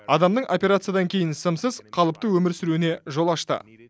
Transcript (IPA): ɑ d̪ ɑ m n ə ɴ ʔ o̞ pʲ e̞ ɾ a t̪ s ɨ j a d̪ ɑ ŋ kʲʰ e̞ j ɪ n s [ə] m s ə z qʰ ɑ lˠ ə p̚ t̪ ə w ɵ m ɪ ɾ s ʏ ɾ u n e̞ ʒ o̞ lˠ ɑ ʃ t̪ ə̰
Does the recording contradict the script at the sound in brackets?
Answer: no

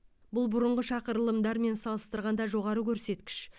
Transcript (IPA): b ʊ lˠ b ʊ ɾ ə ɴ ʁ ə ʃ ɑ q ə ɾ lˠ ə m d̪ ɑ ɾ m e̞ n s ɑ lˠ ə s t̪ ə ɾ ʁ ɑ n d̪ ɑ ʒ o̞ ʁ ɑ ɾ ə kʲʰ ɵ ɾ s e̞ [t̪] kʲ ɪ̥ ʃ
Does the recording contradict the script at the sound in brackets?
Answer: no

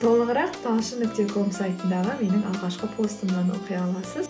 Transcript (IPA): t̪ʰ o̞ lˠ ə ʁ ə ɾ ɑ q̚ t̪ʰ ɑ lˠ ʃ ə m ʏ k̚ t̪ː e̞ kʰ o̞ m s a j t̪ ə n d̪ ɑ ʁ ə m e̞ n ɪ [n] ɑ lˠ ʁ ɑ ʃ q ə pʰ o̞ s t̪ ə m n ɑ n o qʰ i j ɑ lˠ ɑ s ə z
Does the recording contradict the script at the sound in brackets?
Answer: yes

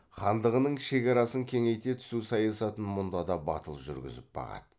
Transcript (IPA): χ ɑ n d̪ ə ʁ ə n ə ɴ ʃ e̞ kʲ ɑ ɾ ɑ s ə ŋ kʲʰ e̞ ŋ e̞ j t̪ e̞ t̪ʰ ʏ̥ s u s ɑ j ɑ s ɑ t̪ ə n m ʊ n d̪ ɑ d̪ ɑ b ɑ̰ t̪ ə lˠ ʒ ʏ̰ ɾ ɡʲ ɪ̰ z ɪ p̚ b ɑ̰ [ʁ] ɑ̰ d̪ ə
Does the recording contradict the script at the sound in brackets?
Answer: no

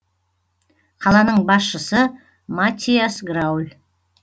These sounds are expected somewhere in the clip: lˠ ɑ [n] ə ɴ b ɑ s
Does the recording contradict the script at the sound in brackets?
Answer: no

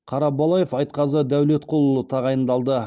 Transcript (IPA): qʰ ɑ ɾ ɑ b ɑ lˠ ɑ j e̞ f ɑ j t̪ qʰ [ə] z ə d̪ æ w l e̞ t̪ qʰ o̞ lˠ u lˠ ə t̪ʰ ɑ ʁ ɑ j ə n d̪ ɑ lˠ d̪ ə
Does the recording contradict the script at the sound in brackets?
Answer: yes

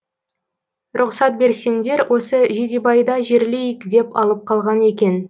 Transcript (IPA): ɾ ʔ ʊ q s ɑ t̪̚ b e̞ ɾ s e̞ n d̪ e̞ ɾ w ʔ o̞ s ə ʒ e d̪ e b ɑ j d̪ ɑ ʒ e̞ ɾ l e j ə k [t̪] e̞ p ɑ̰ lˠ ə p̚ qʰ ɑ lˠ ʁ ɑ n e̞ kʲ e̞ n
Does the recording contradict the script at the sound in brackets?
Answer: yes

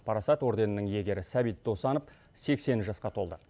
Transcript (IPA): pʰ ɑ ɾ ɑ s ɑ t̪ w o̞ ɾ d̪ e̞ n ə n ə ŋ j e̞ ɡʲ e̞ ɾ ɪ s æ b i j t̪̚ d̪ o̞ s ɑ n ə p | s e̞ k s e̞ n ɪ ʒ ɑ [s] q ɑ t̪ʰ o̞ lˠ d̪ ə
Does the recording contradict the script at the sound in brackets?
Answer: no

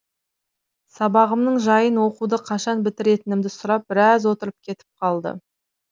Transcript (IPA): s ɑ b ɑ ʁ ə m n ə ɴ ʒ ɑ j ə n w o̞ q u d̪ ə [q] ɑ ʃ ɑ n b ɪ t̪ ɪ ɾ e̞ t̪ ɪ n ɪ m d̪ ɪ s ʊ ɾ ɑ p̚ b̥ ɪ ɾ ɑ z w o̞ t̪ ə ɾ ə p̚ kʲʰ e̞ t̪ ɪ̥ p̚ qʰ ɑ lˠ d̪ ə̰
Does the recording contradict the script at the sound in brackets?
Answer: yes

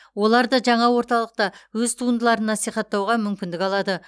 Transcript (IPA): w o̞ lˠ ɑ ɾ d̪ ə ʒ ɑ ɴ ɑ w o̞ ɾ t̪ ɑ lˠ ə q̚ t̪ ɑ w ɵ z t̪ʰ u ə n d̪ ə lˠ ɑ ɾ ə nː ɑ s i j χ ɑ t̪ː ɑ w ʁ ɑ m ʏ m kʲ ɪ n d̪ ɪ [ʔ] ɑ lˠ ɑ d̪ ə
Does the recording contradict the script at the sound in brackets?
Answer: yes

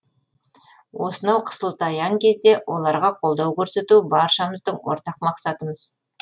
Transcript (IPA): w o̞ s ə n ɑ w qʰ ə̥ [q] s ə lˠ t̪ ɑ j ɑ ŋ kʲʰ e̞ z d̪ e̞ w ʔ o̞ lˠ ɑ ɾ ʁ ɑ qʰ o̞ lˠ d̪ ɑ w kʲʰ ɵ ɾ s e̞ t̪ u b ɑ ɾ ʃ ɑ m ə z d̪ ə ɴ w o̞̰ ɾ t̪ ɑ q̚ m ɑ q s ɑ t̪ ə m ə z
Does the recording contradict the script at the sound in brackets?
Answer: yes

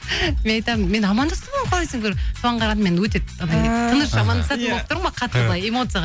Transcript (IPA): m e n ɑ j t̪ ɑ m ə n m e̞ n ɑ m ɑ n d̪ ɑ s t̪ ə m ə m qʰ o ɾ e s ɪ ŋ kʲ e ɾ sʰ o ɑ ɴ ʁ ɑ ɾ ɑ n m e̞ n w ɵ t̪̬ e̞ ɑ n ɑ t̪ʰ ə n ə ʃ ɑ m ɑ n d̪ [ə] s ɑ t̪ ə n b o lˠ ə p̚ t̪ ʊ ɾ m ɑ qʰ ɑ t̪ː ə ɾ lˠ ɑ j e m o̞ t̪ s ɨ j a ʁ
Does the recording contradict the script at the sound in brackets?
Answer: yes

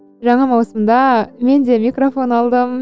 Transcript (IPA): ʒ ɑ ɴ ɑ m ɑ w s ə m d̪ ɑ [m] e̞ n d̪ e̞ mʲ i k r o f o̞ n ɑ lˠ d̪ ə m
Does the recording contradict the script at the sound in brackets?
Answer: no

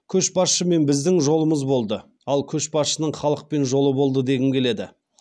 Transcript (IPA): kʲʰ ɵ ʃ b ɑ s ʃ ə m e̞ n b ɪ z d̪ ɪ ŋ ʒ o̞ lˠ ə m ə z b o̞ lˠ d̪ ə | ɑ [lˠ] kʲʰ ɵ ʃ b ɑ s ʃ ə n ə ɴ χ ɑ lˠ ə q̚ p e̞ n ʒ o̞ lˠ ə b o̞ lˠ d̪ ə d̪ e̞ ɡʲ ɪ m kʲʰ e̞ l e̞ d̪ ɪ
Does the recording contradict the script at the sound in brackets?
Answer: no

